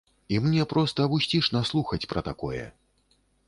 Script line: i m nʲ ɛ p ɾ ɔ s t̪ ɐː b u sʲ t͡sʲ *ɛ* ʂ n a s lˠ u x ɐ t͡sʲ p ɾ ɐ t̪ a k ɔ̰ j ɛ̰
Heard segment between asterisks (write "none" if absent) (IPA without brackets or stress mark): i